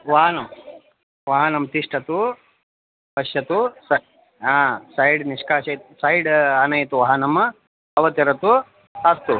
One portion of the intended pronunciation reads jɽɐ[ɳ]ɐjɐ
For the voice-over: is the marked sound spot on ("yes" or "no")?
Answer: no